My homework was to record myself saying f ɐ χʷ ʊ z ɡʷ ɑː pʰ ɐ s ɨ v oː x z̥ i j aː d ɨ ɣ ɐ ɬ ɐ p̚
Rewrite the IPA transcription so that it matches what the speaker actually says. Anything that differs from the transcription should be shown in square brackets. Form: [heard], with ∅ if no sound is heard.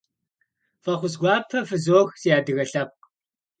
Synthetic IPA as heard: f ɐ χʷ ʊ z ɡʷ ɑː pʰ ɐ [f] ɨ [z] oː x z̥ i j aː d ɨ ɣ ɐ ɬ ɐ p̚